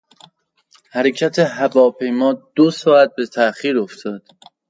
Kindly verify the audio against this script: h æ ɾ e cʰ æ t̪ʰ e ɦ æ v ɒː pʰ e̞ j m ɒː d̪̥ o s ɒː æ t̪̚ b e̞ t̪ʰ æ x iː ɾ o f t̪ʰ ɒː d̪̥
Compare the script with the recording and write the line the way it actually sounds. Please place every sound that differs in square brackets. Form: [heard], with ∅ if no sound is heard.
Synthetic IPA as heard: h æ ɾ e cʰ æ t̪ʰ e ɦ æ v ɒː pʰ e̞ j m ɒː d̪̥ o s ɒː æ t̪̚ b e̞ t̪ʰ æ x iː ɾ o f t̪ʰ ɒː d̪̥